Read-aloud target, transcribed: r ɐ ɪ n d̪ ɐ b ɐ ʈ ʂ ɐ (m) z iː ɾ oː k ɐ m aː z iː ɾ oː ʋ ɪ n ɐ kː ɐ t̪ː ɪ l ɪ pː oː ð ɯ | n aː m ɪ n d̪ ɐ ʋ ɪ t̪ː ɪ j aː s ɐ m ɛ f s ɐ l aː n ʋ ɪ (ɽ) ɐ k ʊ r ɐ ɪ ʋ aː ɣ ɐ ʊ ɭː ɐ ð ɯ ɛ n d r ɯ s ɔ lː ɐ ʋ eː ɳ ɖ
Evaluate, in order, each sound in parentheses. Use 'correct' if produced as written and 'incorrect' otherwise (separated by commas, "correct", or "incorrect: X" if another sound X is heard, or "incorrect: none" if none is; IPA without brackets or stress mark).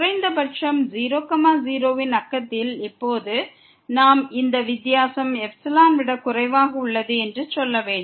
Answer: correct, correct